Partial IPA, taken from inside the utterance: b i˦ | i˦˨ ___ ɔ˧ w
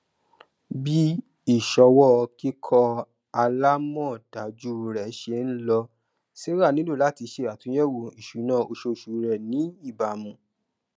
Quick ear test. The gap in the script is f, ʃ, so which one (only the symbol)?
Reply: ʃ